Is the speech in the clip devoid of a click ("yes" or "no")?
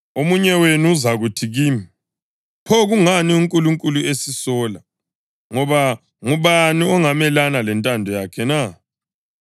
yes